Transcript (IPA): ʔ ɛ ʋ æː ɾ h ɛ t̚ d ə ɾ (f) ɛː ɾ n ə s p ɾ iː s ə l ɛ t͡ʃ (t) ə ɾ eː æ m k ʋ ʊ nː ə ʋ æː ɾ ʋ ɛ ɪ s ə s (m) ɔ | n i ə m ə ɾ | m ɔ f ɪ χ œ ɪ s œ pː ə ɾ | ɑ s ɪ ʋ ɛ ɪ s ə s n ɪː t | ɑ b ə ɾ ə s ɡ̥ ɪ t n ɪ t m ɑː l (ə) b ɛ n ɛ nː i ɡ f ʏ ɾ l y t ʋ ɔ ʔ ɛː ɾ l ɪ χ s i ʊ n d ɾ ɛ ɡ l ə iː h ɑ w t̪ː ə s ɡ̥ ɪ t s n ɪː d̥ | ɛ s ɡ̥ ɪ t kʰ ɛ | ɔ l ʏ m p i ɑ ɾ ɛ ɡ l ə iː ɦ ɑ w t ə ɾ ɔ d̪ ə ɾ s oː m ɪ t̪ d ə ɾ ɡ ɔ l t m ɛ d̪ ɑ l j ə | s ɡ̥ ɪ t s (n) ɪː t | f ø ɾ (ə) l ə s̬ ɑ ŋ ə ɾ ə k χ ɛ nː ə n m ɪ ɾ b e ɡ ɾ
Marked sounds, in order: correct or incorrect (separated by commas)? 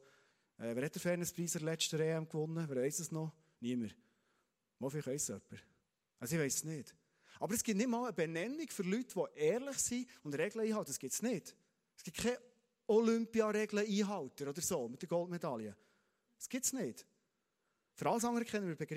correct, correct, incorrect, correct, correct, incorrect